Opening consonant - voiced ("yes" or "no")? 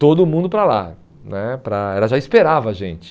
no